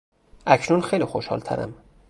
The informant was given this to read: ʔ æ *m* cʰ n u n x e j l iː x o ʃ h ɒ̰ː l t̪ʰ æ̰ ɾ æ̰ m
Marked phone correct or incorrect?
incorrect